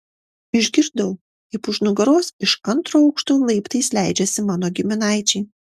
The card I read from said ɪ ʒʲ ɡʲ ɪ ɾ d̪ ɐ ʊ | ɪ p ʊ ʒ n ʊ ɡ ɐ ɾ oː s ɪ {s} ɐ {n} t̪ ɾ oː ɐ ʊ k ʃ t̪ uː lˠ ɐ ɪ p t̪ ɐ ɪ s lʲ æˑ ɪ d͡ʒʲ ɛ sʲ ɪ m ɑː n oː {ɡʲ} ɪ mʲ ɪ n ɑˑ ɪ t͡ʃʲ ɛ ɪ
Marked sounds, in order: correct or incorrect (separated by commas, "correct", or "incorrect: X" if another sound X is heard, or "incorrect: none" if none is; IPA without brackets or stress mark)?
incorrect: ʃ, correct, correct